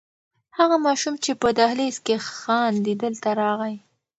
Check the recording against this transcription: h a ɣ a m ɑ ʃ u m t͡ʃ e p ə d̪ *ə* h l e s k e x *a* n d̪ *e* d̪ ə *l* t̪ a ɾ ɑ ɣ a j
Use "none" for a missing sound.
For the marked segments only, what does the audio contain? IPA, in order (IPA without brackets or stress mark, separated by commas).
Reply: a, ɑ, i, l